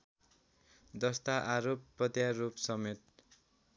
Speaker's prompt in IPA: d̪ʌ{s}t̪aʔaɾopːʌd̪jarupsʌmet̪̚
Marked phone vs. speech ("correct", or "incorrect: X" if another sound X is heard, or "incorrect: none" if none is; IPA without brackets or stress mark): correct